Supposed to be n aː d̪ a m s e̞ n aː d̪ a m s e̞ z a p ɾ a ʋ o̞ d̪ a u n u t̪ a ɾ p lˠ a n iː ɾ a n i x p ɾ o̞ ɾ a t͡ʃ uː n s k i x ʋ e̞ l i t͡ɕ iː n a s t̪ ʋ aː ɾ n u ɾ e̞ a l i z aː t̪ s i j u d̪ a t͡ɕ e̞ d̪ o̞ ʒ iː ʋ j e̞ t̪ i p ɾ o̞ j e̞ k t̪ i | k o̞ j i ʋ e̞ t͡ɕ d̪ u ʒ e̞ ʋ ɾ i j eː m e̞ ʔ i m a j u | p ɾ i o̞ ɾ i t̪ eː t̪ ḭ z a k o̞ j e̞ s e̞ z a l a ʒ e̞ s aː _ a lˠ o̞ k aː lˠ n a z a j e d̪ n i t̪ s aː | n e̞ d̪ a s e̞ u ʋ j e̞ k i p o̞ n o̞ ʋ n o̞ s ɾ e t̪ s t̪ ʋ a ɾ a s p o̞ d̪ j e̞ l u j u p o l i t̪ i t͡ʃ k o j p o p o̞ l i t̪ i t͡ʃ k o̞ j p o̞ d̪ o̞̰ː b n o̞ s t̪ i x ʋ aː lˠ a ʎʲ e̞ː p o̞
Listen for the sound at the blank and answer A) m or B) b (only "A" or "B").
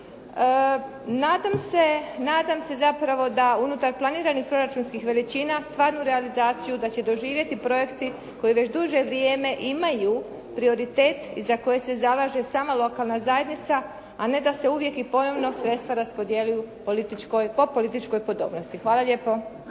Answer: A